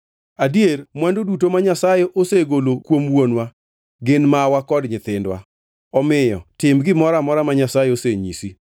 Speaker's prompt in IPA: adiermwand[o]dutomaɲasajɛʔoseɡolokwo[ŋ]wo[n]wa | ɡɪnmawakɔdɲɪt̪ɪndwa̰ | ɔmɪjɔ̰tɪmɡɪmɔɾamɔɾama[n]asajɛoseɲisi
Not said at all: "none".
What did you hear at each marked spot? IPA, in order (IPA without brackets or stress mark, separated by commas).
o, m, n, ɲ